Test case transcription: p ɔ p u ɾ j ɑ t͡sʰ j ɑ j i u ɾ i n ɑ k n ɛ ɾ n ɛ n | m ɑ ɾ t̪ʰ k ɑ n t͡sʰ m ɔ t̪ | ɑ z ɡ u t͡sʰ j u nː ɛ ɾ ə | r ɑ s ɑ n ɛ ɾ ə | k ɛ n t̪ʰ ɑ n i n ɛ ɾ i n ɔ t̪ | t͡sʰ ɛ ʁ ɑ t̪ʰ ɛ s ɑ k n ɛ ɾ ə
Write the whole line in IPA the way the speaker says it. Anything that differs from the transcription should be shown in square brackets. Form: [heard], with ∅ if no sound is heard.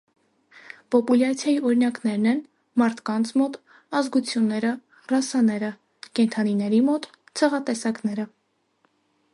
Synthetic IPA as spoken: p ɔ p u [l] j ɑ t͡sʰ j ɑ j i [ɔ] ɾ i n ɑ k n ɛ ɾ n ɛ n | m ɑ ɾ t̪ʰ k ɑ n t͡sʰ m ɔ t̪ | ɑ z ɡ u t͡sʰ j u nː ɛ ɾ ə | r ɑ s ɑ n ɛ ɾ ə | k ɛ n t̪ʰ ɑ n i n ɛ ɾ i [m] ɔ t̪ | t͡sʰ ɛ ʁ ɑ [t̪] ɛ s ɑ k n ɛ ɾ ə